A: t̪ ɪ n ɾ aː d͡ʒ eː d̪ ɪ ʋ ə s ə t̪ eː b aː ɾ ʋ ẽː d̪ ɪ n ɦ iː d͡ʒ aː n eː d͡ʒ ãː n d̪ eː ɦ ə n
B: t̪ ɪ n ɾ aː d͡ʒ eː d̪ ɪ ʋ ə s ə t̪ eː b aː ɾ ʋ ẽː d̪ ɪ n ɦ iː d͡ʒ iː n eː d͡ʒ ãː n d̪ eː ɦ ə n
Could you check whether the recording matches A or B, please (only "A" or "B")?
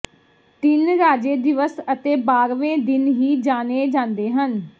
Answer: A